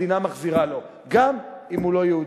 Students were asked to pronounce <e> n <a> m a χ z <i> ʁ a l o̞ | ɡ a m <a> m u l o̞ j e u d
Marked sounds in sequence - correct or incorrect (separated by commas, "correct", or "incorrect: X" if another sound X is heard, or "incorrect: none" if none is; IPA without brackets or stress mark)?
incorrect: i, correct, correct, incorrect: i